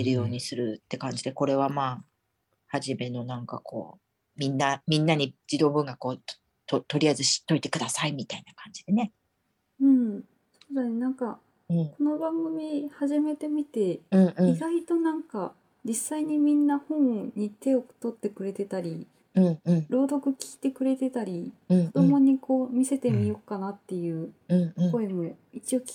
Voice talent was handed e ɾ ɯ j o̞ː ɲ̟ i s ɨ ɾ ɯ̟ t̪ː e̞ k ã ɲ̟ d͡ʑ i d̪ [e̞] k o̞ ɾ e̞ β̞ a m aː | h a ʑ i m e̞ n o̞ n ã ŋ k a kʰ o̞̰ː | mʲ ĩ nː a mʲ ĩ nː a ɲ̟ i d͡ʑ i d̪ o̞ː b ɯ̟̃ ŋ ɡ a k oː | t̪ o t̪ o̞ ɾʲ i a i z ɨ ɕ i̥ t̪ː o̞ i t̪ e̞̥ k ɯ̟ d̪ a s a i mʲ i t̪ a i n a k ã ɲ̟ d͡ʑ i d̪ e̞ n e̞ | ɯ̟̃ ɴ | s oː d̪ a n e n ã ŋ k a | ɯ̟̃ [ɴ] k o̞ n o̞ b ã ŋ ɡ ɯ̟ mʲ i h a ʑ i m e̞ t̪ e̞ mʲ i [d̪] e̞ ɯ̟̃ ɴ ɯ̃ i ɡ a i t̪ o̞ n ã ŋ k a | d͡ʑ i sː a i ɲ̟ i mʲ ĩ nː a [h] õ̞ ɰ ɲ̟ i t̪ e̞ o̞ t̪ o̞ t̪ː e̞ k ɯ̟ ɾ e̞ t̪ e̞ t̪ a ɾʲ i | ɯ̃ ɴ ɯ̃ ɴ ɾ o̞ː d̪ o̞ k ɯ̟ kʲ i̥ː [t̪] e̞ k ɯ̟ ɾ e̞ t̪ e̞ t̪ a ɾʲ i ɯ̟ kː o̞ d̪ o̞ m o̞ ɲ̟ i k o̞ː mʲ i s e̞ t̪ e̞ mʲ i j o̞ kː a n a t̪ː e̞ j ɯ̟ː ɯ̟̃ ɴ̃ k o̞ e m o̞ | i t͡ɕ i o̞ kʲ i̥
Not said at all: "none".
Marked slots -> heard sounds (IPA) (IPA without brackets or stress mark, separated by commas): e̞, ɴ, t̪, h, t̪